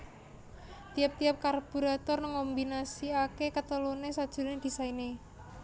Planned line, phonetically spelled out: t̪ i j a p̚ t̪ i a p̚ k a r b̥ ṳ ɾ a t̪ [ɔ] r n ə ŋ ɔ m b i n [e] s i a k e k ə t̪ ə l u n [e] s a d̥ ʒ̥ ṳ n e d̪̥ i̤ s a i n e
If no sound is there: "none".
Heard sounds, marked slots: ɔ, a, e

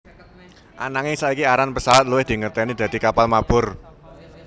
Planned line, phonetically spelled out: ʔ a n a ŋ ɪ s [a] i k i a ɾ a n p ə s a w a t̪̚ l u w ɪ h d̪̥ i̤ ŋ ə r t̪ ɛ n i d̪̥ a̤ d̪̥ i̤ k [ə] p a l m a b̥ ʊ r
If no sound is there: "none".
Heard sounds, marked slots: a, a

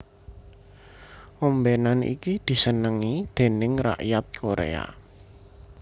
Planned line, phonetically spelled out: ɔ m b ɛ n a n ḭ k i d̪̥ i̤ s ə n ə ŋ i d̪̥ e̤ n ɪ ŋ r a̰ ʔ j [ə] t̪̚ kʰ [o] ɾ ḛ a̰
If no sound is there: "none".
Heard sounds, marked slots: a, o

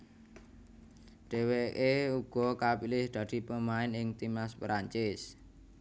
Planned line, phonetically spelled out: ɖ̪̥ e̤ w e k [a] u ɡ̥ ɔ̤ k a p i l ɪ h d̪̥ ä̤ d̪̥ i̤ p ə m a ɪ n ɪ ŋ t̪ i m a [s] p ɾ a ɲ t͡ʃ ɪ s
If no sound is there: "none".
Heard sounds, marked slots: e, s

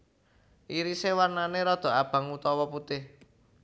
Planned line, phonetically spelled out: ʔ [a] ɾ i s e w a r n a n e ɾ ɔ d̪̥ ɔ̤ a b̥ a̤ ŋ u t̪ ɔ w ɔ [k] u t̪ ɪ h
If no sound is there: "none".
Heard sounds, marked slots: i, p

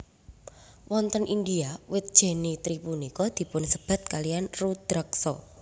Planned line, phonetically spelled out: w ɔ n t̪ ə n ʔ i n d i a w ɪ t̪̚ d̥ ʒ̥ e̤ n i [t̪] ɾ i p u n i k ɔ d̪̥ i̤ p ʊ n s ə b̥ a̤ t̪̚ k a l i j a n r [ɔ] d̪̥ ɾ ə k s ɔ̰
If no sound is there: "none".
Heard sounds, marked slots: t̪, u

